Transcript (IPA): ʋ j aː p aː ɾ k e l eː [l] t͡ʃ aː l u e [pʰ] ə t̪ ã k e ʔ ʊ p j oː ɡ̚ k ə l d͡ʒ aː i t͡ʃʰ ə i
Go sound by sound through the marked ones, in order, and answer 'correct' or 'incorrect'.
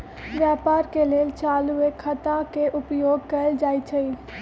correct, incorrect

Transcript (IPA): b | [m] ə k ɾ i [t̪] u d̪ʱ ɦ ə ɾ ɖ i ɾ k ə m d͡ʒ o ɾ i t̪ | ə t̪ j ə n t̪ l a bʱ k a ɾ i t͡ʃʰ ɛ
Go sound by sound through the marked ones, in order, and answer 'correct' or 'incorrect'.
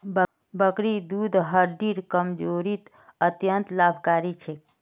incorrect, incorrect

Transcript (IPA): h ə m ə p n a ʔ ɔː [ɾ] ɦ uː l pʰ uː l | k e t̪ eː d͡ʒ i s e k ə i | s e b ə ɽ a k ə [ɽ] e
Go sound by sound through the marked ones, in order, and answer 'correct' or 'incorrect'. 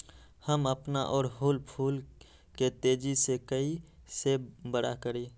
correct, incorrect

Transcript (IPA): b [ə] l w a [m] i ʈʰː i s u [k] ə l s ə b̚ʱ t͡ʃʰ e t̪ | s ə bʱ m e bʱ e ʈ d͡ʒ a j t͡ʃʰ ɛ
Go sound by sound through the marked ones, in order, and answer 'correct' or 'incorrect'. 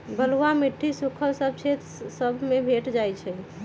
correct, correct, incorrect

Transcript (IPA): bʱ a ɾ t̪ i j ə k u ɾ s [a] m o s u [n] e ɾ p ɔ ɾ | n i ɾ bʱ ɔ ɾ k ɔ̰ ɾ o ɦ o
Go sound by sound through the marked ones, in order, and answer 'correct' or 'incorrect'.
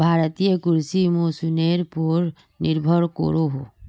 incorrect, correct

